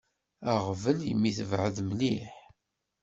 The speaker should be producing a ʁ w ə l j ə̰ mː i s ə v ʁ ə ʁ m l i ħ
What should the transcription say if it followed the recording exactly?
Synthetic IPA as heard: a ʁ v ə l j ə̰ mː i θ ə v ʕ ə ð m l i ħ